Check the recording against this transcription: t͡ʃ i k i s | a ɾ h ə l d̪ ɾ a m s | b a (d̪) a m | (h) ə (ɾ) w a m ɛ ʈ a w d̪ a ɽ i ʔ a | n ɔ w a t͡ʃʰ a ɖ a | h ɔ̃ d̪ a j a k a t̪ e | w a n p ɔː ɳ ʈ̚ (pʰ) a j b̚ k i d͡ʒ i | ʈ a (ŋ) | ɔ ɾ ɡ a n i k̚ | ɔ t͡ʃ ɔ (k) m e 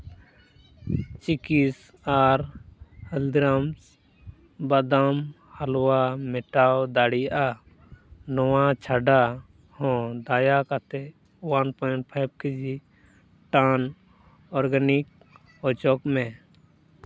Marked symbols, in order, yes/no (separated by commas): yes, yes, no, yes, no, yes